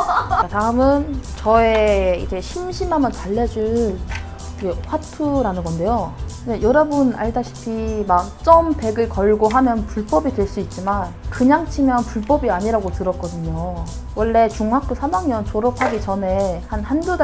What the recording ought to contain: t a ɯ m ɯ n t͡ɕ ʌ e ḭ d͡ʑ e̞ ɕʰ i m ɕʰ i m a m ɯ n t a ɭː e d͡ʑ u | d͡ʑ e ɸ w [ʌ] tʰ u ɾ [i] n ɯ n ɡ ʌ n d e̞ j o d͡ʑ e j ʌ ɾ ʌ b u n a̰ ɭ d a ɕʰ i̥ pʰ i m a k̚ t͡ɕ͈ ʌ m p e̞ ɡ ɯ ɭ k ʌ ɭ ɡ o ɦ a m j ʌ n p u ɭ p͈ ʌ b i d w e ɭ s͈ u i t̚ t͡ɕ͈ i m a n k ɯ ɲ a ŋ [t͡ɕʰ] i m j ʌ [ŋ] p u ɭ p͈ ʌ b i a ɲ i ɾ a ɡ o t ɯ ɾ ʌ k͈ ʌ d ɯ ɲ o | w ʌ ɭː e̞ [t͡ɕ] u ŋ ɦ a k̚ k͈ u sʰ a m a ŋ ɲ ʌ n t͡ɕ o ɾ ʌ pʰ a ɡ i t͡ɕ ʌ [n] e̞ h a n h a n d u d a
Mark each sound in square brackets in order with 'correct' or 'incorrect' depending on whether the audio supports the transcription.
incorrect, incorrect, correct, incorrect, correct, correct

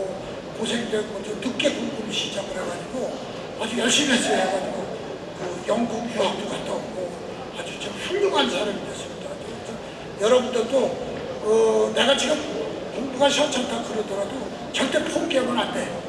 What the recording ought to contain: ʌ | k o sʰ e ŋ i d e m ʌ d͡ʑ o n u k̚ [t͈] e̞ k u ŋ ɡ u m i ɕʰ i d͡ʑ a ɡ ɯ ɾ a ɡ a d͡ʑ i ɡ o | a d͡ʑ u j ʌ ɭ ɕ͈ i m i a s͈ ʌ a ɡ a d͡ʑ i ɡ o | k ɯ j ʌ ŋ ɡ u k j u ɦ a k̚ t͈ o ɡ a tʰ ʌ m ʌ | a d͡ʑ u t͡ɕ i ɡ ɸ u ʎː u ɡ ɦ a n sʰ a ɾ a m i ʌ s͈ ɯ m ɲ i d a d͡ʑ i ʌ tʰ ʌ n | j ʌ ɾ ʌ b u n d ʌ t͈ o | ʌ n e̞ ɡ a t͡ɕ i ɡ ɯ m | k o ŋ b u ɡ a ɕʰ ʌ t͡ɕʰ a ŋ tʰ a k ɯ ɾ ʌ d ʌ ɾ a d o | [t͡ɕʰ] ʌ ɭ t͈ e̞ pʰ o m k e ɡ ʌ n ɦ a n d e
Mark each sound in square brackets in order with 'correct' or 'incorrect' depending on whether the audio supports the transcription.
incorrect, incorrect

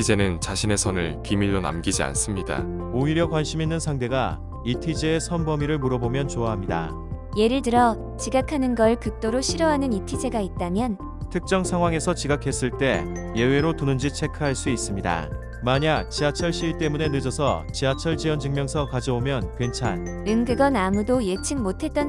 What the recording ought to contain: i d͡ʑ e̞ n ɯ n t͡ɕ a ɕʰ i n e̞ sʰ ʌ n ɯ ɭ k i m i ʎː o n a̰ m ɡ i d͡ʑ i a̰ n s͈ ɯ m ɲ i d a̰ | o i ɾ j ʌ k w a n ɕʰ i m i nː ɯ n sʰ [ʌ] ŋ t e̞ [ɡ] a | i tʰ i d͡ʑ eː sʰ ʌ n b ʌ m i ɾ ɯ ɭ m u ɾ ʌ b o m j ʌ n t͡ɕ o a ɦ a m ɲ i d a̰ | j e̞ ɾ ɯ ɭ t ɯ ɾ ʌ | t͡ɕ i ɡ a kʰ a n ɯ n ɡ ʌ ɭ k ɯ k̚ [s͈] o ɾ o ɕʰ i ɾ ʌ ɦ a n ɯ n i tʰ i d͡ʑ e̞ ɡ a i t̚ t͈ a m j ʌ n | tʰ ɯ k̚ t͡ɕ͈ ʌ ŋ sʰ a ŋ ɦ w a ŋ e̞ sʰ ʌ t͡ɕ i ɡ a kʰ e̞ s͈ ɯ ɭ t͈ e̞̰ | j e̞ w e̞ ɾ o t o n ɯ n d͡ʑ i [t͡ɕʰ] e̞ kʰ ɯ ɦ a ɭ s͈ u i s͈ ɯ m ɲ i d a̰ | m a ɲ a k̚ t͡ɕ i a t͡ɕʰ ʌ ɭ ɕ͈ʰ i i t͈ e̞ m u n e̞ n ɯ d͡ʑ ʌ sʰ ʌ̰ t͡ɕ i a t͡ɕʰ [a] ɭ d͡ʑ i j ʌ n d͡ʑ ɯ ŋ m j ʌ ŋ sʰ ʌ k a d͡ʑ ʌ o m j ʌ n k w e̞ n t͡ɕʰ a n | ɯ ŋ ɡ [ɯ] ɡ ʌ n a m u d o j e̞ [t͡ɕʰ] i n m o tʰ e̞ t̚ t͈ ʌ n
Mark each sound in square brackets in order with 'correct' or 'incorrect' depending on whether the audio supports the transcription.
incorrect, correct, incorrect, correct, incorrect, correct, correct

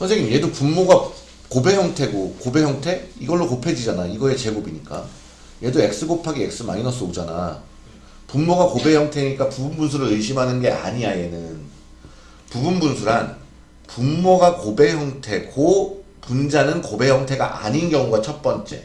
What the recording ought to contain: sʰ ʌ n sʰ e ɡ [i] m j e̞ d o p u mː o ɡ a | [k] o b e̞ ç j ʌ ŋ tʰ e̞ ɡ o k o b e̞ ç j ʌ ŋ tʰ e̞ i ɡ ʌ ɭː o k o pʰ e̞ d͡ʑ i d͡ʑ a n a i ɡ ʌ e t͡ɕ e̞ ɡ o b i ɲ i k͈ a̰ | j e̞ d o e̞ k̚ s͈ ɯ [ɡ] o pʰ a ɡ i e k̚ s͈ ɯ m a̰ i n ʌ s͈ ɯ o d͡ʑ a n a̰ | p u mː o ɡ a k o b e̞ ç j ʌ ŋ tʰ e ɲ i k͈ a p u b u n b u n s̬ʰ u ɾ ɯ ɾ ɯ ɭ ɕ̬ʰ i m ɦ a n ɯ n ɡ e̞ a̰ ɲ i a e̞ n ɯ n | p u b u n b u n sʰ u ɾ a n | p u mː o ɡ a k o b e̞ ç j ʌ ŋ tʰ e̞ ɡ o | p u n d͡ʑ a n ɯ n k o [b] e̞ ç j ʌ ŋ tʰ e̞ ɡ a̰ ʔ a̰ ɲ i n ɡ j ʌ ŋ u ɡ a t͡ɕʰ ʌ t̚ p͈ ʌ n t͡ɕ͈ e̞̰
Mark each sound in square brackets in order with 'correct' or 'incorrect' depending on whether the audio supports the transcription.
correct, correct, correct, correct

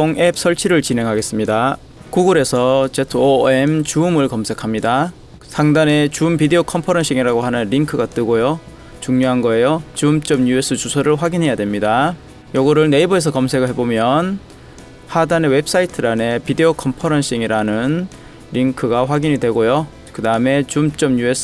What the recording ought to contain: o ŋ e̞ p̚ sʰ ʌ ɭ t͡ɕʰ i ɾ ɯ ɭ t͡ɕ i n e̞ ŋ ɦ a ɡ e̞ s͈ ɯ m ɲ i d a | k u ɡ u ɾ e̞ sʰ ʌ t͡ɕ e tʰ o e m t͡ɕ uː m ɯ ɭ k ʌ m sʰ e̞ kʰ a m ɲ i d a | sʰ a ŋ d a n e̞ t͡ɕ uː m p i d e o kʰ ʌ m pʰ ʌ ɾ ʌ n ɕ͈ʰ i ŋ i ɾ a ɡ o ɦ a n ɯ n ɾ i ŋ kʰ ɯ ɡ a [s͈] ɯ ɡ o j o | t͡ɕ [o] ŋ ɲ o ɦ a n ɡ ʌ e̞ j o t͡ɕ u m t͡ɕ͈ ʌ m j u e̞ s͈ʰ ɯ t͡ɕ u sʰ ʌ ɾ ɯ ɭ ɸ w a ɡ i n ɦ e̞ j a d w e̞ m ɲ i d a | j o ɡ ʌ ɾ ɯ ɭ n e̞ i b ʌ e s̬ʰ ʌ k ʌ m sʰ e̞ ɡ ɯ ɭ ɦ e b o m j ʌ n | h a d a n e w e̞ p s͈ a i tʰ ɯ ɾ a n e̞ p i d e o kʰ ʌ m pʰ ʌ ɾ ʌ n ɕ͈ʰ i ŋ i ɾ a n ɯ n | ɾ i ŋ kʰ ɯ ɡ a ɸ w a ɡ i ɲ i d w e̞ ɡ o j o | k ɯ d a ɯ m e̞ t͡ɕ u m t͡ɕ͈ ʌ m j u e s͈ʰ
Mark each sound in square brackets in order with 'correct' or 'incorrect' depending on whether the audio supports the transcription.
incorrect, incorrect

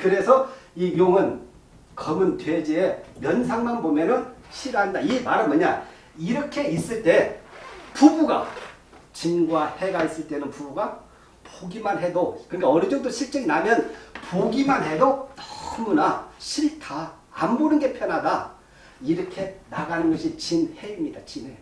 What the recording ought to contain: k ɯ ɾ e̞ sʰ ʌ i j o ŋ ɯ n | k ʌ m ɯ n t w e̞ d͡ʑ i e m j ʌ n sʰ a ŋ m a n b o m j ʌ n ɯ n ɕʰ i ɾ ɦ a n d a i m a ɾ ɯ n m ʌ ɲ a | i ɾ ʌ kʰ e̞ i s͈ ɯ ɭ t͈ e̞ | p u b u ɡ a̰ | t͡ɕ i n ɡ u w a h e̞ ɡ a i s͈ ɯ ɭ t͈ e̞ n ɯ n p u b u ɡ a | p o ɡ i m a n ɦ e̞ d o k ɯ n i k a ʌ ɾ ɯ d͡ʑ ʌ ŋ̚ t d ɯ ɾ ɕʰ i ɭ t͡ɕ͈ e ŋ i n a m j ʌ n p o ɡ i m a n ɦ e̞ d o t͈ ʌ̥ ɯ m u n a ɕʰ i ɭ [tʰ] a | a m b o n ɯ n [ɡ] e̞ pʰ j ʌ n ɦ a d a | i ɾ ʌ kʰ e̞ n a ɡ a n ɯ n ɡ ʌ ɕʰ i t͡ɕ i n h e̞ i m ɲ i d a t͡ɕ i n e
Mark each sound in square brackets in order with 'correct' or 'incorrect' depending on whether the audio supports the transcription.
correct, correct

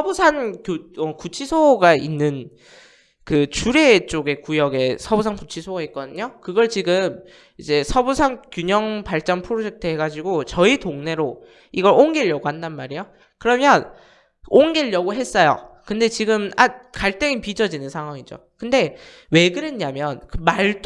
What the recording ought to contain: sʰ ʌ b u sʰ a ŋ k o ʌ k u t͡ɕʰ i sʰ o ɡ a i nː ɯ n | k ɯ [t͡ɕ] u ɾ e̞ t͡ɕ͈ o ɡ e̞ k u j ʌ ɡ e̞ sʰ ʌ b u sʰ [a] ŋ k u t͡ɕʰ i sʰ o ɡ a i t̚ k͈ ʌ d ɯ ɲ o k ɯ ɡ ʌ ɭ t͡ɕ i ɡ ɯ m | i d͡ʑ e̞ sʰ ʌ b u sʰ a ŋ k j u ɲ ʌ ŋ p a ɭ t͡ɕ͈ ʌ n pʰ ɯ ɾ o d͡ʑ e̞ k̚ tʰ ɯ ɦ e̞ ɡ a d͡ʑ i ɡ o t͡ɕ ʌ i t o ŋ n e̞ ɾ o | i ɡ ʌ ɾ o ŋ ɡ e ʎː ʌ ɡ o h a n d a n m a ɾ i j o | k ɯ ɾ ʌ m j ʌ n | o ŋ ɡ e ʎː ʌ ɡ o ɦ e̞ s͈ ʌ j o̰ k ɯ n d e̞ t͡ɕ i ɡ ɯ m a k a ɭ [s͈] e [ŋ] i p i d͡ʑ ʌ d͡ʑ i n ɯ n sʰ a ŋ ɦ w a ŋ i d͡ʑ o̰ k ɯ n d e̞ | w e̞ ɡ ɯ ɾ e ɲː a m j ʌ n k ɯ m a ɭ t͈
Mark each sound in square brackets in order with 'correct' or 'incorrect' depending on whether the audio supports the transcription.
correct, correct, incorrect, correct

